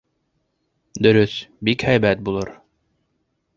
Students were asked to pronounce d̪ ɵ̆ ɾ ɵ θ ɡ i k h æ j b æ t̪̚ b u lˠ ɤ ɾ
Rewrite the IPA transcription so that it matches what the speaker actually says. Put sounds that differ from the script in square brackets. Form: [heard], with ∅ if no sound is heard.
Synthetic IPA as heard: d̪ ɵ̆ ɾ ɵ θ [b] i k h æ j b æ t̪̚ b u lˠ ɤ ɾ